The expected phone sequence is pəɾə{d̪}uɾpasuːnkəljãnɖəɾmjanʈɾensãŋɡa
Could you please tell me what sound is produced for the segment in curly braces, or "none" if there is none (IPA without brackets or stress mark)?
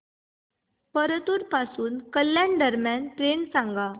t̪